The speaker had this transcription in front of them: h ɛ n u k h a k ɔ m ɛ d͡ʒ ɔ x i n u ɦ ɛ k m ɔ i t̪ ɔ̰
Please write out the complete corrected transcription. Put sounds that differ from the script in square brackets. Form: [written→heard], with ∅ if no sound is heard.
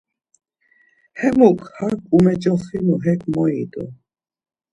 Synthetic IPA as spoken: h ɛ [n→m] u k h a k [ɔ→u] m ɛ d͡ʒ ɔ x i n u ɦ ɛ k m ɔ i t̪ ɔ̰